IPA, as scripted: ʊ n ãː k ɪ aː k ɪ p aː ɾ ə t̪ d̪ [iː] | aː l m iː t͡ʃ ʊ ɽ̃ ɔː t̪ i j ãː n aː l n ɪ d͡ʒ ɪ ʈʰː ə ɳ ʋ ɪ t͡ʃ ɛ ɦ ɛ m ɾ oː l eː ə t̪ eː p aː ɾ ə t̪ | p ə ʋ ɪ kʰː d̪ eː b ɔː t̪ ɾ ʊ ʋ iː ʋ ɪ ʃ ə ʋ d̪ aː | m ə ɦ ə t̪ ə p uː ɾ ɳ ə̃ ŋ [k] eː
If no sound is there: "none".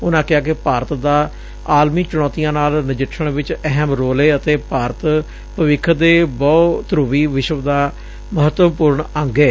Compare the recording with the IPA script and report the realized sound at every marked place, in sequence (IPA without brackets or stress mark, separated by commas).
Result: aː, ɡ